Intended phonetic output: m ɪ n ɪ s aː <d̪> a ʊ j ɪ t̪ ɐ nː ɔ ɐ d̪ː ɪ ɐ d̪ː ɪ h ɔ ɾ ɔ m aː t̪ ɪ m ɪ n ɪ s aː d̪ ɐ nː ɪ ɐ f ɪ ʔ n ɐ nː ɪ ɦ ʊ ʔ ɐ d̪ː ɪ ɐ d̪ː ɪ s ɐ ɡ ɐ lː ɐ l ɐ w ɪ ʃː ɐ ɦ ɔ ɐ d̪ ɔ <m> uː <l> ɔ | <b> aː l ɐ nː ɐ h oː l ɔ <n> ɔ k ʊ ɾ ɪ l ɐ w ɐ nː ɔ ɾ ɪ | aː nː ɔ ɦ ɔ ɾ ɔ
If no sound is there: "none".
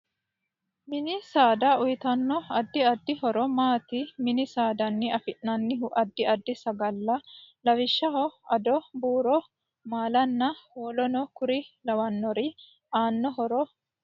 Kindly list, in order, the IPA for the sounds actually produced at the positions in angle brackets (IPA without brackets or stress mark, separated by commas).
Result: d̪, b, ɾ, m, n